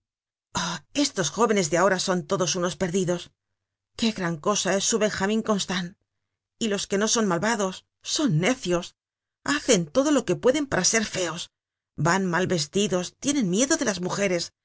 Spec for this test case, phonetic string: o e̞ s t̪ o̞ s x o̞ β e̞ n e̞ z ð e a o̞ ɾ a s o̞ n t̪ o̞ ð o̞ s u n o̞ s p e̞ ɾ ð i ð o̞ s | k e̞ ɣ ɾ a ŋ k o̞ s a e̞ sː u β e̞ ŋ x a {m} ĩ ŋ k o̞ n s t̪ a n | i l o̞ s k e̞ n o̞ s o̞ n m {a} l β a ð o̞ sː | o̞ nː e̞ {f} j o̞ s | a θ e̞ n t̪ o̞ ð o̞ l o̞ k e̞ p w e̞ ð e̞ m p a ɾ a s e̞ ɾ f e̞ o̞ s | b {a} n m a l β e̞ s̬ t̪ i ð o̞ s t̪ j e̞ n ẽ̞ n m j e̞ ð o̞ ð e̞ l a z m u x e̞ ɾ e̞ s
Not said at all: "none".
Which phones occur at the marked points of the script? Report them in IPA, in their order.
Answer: m, a, θ, a

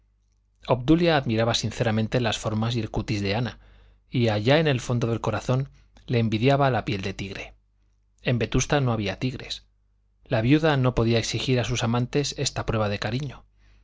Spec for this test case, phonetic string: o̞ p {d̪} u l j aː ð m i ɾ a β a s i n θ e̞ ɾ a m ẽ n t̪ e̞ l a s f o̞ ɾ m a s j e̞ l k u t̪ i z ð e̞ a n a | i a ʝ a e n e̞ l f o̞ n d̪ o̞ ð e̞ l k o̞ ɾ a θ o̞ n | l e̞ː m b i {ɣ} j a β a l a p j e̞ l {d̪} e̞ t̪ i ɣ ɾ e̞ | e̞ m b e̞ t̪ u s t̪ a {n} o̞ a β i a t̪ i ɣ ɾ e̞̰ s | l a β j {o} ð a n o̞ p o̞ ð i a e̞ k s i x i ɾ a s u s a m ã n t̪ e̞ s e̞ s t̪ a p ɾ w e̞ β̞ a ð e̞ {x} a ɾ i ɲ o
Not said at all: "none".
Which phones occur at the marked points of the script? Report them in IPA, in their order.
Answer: d̪, ð, d̪, n, u, k

